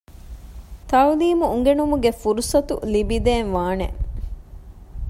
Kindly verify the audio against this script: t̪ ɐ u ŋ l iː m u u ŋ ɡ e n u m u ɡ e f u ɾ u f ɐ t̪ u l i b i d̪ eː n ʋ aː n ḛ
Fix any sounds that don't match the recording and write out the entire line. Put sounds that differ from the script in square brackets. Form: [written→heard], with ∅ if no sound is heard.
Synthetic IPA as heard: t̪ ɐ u [ŋ→∅] l iː m u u ŋ ɡ e n u m u ɡ e f u ɾ u [f→s] ɐ t̪ u l i b i d̪ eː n ʋ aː n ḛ